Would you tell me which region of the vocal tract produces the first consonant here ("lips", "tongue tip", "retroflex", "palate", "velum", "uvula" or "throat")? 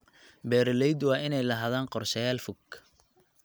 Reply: lips